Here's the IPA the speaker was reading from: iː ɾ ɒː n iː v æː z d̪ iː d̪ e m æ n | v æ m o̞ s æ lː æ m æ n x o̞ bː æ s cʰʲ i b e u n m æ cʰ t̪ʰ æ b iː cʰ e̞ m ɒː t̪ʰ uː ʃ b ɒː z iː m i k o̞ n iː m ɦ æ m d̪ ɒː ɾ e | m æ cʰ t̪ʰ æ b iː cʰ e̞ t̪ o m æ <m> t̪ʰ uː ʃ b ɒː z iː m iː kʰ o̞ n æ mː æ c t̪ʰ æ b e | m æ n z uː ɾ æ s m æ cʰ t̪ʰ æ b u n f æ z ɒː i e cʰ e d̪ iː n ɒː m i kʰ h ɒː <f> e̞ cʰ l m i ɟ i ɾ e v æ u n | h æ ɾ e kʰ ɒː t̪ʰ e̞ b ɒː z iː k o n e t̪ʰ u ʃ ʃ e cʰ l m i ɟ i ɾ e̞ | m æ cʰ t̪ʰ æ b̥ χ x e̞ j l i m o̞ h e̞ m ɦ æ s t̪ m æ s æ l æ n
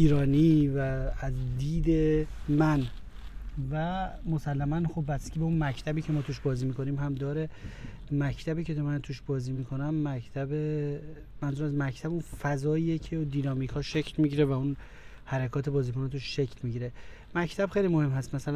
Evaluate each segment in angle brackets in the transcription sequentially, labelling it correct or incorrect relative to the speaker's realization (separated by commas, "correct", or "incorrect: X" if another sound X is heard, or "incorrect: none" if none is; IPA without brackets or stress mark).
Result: incorrect: n, incorrect: ʃ